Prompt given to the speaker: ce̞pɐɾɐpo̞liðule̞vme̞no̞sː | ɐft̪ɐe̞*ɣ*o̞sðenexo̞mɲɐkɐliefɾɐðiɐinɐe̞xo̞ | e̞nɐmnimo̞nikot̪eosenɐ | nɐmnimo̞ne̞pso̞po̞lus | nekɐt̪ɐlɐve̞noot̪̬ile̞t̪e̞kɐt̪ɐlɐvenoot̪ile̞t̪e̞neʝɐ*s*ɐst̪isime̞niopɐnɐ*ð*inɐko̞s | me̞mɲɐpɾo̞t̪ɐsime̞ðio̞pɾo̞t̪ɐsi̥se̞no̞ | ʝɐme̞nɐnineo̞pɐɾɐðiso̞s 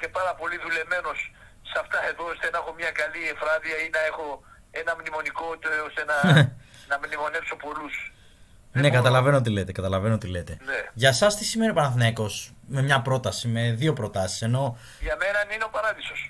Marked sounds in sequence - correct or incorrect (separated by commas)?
incorrect, correct, incorrect